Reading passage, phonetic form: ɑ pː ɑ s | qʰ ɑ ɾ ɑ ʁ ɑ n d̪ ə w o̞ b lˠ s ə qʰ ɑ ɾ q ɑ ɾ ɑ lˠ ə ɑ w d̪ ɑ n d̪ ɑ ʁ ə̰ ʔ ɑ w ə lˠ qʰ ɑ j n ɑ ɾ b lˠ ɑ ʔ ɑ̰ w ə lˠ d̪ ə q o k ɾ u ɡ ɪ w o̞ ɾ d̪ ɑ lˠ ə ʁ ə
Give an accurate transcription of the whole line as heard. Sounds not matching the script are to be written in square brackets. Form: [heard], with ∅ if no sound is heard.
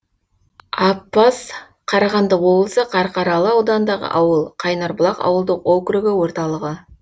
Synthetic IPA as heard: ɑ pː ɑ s | qʰ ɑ ɾ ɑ ʁ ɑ n d̪ ə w o̞ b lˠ s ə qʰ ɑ ɾ q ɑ ɾ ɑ lˠ ə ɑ w d̪ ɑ n d̪ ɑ ʁ ə̰ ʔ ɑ w ə lˠ qʰ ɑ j n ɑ ɾ b lˠ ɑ [q] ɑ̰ w ə lˠ d̪ ə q o k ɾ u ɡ ɪ w o̞ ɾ [t̪] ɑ lˠ ə ʁ ə

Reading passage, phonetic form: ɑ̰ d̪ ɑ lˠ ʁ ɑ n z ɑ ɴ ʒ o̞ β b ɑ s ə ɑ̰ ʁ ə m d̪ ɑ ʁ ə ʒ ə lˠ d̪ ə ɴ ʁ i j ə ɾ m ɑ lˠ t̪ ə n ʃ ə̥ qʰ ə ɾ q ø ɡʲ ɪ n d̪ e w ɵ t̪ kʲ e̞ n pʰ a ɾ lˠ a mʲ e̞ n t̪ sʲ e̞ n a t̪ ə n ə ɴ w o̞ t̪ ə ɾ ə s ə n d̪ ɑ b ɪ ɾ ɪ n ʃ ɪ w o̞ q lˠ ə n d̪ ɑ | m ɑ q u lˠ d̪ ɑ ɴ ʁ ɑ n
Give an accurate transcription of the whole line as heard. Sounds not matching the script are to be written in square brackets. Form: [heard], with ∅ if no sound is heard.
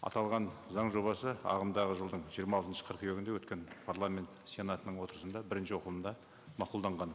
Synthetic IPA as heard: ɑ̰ [t̪] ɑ lˠ ʁ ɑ n z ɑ ɴ ʒ o̞ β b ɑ s ə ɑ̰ ʁ ə m d̪ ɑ ʁ ə ʒ ə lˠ d̪ ə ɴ [ʒ] i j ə ɾ m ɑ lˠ t̪ ə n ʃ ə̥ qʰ ə ɾ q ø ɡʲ ɪ n d̪ e w ɵ t̪ kʲ e̞ n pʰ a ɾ lˠ a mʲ e̞ n t̪ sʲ e̞ n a t̪ ə n ə ɴ w o̞ t̪ ə ɾ ə s ə n d̪ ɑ b ɪ ɾ ɪ n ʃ ɪ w o̞ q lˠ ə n d̪ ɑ | m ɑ q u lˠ d̪ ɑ ɴ ʁ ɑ n

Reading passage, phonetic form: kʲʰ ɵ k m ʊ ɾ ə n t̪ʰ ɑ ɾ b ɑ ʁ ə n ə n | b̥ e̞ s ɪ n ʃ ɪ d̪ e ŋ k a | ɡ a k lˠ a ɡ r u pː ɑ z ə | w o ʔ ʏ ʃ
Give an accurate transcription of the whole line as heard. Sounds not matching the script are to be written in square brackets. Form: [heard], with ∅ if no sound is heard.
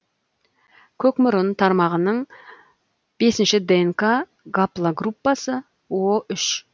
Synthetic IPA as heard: kʲʰ ɵ k m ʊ ɾ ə n t̪ʰ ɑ ɾ [m] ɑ ʁ ə n ə [ɴ] | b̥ e̞ s ɪ n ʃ ɪ d̪ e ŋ k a | ɡ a [p] lˠ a ɡ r u pː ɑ [s] ə | w o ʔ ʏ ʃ

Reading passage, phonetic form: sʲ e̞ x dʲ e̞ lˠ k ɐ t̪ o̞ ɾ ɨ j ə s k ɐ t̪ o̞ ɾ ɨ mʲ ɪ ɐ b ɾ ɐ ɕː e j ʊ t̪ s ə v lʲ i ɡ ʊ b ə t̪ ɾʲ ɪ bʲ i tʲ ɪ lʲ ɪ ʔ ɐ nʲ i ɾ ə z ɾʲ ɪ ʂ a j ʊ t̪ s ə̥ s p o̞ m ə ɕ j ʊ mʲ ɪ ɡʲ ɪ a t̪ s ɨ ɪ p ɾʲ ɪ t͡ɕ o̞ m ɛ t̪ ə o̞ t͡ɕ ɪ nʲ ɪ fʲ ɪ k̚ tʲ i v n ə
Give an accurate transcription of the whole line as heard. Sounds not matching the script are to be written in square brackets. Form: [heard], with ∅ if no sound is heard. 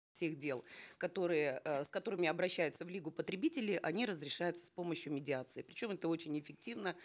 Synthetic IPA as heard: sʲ e̞ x dʲ e̞ lˠ k ɐ t̪ o̞ ɾ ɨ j ə s k ɐ t̪ o̞ ɾ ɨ mʲ ɪ ɐ b ɾ ɐ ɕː [æ] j ʊ t̪ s ə v lʲ i ɡ ʊ [p] ə t̪ ɾʲ ɪ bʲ i tʲ ɪ lʲ ɪ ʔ ɐ nʲ i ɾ ə z ɾʲ ɪ ʂ a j ʊ t̪ s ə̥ s p o̞ m ə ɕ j ʊ mʲ ɪ [dʲ] ɪ a t̪ s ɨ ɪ p ɾʲ ɪ t͡ɕ o̞ m ɛ t̪ ə o̞ t͡ɕ ɪ nʲ ɪ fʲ ɪ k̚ tʲ i v n ə

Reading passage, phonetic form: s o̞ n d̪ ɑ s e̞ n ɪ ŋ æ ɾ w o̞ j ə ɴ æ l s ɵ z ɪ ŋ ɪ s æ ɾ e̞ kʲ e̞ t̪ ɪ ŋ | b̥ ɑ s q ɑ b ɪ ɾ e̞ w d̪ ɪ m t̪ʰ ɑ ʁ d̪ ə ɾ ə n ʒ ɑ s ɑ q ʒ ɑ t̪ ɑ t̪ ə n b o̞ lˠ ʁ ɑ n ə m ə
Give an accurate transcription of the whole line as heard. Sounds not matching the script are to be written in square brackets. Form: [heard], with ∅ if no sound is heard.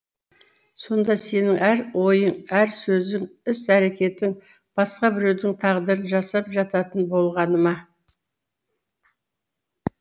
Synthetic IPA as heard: s o̞ n d̪ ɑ s e̞ n ɪ ŋ æ ɾ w o̞ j ə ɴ æ [ɾ] s ɵ z ɪ ŋ ɪ s æ ɾ e̞ kʲ e̞ t̪ ɪ ŋ | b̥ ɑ s q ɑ b ɪ ɾ e̞ w d̪ ɪ [ŋ] t̪ʰ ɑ ʁ d̪ ə ɾ ə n ʒ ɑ s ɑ [p] ʒ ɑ t̪ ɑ t̪ ə n b o̞ lˠ ʁ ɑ n ə m [ɑ]

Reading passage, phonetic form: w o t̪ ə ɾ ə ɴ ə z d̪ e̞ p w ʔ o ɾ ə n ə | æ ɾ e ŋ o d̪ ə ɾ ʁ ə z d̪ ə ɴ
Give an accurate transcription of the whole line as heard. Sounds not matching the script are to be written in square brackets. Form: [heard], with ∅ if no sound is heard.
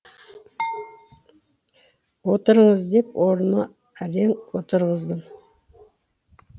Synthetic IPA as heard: w o t̪ ə ɾ ə ɴ ə z d̪ e̞ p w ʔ o ɾ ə n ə | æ ɾ e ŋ o [t̪] ə ɾ ʁ ə z d̪ ə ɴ

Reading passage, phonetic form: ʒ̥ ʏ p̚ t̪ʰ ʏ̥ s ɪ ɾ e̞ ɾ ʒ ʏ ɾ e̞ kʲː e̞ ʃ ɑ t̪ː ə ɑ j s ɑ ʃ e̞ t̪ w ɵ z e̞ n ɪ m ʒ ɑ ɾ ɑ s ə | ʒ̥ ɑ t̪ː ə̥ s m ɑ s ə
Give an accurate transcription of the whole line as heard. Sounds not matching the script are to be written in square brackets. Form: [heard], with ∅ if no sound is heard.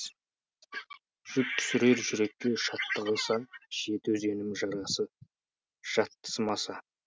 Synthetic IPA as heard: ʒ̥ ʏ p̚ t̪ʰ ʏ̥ s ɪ ɾ e̞ ɾ ʒ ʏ ɾ e̞ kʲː e̞ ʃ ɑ t̪ː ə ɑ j s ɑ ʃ e̞ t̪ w ɵ z e̞ n ɪ m ʒ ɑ ɾ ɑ s ə | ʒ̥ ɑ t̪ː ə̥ s m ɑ s [ɑ]

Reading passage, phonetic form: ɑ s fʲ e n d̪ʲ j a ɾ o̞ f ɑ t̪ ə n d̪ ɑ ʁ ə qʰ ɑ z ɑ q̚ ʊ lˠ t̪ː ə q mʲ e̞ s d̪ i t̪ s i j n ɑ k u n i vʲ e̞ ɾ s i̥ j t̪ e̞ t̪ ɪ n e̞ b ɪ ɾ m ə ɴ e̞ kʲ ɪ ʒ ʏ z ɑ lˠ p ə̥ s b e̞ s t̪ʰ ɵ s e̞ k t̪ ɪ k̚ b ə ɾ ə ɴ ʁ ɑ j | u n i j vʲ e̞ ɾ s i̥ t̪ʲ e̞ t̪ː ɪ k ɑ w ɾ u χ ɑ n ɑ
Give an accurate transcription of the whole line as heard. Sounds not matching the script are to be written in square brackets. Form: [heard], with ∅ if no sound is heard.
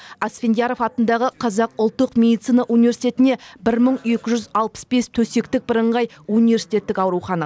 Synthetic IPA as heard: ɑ s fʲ e n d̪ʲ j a ɾ o̞ f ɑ t̪ ə n d̪ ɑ ʁ ə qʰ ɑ z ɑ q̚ ʊ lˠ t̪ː ə q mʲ e̞ [∅] d̪ i t̪ s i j n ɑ [ʔ] u n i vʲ e̞ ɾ s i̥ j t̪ e̞ t̪ ɪ n e̞ b ɪ ɾ m ə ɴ e̞ kʲ ɪ ʒ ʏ z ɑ lˠ p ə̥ s b e̞ s t̪ʰ ɵ s e̞ k t̪ ɪ k̚ b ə ɾ ə ɴ ʁ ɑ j | u n i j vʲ e̞ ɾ s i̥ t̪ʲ e̞ t̪ː ɪ k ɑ w ɾ u χ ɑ n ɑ

